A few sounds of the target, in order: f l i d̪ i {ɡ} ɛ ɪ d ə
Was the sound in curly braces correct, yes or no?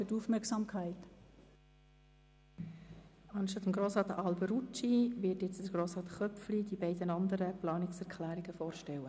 no